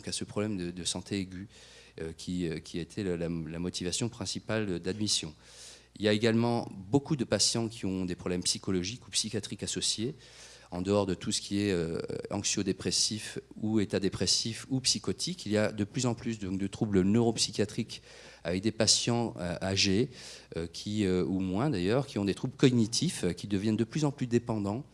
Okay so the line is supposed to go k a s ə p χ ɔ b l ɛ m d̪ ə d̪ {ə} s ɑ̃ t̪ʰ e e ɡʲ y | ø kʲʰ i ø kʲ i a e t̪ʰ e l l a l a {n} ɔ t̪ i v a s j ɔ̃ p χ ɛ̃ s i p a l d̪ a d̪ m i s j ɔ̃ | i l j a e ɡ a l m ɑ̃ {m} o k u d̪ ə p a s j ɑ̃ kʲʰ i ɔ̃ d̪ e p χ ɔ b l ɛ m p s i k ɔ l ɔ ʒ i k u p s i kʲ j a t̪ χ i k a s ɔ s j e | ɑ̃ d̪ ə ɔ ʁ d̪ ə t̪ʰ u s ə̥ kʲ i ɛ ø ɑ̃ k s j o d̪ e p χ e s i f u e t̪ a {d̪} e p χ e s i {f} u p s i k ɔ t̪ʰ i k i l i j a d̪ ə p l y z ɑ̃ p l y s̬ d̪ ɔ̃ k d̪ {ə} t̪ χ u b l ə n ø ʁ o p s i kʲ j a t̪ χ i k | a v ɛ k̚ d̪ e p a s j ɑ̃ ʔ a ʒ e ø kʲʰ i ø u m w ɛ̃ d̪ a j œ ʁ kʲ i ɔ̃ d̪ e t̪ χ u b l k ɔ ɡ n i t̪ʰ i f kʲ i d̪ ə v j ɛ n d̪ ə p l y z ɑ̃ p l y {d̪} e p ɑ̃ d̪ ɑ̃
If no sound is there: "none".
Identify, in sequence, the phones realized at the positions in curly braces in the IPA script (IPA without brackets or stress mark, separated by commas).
ə, m, b, d̪, f, ə, d̪